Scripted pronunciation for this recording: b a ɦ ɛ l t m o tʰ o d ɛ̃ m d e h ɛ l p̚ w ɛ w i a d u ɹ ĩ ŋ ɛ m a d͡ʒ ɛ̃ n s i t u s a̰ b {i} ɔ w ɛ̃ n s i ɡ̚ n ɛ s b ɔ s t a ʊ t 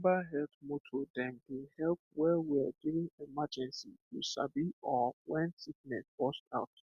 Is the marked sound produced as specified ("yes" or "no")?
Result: yes